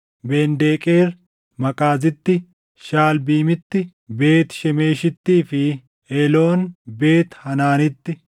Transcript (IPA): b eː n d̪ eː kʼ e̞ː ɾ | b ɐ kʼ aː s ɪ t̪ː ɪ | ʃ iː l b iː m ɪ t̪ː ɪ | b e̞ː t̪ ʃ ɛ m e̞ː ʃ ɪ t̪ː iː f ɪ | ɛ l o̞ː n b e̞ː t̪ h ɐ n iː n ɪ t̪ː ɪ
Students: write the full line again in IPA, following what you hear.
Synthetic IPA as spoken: b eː n d̪ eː kʼ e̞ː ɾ | m ɐ kʼ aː z ɪ t̪ː ɪ | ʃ aː l b iː m ɪ t̪ː ɪ | b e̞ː t̪ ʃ ɛ m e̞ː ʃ ɪ t̪ː iː f ɪ | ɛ l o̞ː n b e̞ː t̪ h ɐ n aː n ɪ t̪ː ɪ